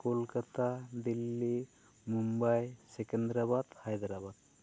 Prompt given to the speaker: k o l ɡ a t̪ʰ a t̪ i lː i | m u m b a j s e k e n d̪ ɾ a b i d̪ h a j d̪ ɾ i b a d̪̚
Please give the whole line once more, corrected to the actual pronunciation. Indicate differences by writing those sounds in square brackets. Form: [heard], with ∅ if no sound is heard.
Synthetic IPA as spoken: k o l [k] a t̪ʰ a [d̪] i lː i | m u m b a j s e k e n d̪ ɾ a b [a] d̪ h a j d̪ ɾ [a] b a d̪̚